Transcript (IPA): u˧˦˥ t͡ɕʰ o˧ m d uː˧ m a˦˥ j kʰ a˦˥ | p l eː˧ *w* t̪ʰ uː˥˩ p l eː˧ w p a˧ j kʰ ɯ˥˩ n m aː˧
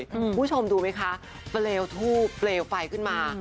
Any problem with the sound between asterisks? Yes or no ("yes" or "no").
no